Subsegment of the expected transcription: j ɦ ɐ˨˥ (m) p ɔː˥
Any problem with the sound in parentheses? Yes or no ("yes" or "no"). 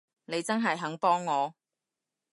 yes